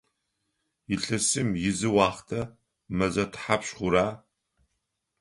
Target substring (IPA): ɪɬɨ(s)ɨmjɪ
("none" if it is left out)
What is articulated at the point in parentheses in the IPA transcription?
s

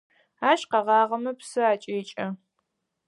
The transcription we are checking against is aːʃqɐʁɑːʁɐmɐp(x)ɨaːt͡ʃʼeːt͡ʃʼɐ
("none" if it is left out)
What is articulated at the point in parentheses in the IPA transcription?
s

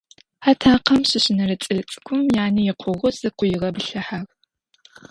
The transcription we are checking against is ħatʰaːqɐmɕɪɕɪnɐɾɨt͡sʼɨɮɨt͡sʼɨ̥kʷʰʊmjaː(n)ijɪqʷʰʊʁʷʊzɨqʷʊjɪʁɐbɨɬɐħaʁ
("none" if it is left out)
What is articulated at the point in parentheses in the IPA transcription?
n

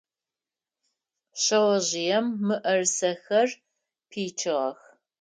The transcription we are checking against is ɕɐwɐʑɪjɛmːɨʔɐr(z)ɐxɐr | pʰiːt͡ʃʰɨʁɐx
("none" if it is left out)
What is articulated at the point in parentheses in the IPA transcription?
s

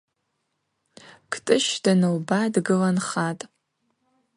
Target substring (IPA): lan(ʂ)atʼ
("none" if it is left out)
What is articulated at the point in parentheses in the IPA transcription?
χ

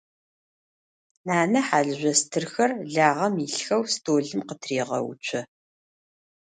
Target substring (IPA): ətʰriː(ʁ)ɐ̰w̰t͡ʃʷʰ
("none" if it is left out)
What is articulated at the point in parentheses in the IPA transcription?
ʁ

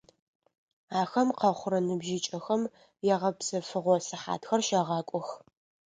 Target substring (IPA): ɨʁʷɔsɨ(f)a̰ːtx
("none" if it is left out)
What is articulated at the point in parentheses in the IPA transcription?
ħ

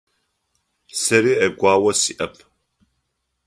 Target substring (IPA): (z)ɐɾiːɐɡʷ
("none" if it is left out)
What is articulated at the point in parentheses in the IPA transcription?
s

